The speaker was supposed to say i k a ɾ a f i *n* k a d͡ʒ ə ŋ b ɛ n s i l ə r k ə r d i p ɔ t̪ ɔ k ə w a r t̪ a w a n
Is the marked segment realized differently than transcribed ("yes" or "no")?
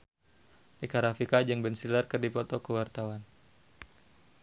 yes